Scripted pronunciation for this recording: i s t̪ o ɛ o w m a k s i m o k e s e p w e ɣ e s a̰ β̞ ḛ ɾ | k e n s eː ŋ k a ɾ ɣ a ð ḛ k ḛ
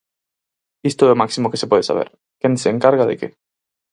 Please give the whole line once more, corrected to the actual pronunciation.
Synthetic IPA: i s t̪ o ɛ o m a k s i m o k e s e p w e ð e s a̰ β̞ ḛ ɾ | k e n s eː ŋ k a ɾ ɣ a ð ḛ k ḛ